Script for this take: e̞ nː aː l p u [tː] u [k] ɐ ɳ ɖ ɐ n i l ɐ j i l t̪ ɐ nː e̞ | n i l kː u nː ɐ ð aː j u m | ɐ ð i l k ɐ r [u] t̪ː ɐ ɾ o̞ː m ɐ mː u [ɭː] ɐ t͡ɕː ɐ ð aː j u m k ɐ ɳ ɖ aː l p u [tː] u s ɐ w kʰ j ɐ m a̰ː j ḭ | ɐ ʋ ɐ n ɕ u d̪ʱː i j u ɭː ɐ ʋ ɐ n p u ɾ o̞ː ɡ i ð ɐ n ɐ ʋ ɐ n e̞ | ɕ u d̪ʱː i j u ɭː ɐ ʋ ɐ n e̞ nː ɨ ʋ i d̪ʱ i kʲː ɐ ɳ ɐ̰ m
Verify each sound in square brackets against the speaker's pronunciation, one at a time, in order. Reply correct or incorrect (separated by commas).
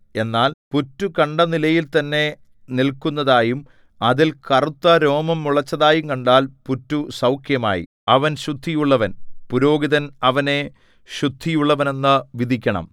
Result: correct, correct, correct, incorrect, correct